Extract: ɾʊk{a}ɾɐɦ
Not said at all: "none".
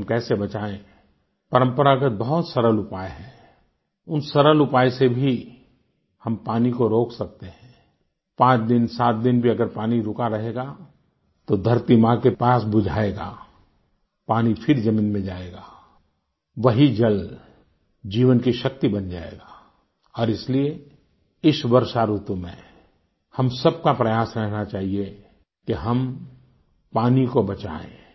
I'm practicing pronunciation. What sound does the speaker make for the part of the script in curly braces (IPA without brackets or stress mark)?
a